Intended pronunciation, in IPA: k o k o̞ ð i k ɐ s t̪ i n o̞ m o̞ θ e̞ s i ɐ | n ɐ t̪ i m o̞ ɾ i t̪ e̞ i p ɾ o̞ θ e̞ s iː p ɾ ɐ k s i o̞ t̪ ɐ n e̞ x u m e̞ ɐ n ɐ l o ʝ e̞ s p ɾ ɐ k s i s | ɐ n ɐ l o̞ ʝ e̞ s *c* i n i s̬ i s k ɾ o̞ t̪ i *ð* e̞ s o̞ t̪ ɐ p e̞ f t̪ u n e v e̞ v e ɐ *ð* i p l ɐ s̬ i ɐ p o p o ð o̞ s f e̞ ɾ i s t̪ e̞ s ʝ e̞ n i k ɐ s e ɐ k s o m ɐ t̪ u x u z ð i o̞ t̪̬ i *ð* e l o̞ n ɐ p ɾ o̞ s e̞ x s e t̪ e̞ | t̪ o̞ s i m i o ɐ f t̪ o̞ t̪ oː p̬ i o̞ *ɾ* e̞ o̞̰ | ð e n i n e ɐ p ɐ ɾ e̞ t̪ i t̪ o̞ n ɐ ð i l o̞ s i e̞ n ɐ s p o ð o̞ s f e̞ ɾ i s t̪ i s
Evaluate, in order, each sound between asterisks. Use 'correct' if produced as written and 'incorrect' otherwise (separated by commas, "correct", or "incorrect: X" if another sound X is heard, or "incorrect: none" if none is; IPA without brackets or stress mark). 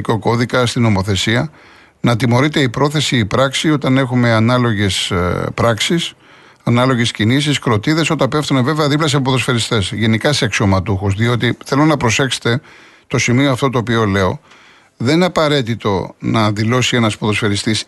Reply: correct, correct, correct, incorrect: θ, incorrect: l